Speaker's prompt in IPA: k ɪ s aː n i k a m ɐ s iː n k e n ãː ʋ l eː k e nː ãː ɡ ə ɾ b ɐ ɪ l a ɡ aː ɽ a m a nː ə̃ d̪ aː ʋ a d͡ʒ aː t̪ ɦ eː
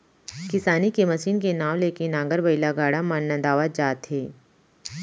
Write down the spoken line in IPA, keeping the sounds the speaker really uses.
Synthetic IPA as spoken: k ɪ s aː n i k e m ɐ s iː n k e n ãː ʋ l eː k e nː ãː ɡ ə ɾ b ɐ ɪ l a ɡ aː ɽ a m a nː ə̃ d̪ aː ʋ a d͡ʒ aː t̪ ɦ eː